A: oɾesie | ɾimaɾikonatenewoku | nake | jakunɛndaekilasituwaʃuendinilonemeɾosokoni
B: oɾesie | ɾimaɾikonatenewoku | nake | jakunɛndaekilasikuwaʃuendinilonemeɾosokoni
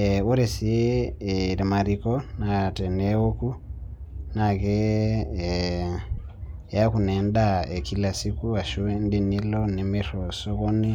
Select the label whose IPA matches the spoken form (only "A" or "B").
B